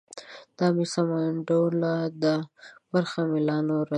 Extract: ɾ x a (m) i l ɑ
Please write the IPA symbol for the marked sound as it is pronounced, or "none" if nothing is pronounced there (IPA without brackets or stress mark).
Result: m